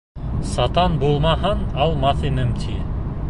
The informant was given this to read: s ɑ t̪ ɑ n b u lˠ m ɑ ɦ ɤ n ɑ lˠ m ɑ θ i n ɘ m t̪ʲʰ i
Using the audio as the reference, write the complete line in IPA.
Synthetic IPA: s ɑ t̪ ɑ n b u lˠ m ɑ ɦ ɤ n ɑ lˠ m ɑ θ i n ɘ m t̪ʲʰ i